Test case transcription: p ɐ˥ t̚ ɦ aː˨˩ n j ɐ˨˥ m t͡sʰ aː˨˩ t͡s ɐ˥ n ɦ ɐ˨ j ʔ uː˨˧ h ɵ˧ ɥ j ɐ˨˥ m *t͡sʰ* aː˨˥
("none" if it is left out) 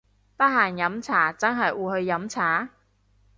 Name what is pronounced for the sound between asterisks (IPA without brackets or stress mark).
t͡sʰ